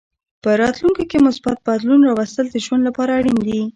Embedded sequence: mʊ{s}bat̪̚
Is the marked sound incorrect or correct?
correct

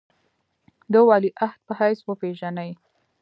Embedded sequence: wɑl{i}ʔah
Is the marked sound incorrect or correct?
correct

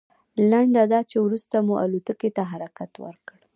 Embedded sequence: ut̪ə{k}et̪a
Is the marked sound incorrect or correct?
correct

